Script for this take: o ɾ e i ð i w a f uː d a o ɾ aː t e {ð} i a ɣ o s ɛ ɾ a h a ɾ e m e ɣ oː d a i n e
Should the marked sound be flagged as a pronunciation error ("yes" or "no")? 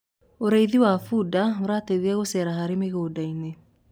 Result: no